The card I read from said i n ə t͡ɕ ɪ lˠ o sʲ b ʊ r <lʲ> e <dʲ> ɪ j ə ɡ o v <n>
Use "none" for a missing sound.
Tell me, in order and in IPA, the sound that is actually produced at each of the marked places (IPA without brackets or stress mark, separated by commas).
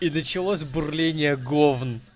lʲ, nʲ, n